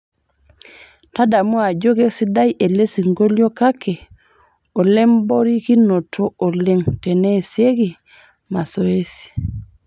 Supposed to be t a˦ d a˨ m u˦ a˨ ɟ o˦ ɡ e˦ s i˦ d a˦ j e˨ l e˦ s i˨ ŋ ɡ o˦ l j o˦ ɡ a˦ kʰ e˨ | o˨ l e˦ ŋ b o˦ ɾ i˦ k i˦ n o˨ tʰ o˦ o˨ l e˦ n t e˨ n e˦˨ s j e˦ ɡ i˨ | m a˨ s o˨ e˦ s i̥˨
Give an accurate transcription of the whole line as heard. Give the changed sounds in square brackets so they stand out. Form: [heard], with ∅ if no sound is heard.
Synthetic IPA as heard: t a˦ d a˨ m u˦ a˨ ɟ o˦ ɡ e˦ s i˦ d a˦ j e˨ l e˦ s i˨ ŋ ɡ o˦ l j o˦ [k] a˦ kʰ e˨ | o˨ l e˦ [m] b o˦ ɾ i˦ k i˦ n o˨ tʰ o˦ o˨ l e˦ [ŋ] t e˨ n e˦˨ s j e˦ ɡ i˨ | m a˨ s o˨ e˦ s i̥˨